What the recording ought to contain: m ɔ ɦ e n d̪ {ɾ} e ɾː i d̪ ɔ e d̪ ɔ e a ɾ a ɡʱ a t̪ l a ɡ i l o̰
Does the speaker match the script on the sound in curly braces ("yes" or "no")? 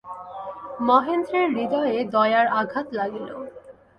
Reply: yes